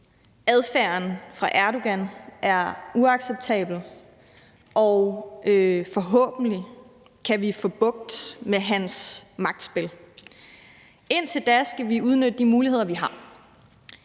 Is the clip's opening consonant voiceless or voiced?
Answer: voiced